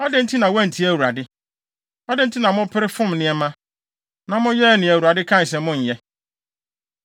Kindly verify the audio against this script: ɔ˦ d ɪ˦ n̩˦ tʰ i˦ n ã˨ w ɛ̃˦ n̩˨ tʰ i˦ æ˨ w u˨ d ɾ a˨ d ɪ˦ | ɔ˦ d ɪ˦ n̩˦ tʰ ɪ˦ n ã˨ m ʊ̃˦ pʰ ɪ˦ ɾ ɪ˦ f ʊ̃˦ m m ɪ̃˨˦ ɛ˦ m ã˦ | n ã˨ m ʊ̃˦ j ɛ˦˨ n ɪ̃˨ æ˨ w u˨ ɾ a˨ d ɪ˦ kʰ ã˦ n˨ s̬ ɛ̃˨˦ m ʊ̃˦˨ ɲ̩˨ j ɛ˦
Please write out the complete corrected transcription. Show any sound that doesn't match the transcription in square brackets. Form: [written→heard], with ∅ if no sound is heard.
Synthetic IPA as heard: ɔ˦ d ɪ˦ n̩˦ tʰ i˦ n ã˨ w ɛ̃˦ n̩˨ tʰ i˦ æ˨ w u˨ [d→∅] ɾ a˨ d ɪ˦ | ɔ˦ d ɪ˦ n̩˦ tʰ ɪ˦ n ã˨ m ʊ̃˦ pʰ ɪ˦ ɾ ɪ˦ f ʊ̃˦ m [m→n] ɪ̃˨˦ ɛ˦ m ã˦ | n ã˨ m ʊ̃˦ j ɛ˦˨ n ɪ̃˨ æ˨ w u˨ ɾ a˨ d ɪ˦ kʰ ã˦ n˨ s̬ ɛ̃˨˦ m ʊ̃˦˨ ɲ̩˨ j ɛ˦